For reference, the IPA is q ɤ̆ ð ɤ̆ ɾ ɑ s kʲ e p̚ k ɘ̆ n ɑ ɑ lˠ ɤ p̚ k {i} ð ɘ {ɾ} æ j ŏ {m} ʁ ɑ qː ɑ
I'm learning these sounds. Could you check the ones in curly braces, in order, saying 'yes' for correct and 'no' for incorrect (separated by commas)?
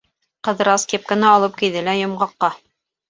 yes, no, yes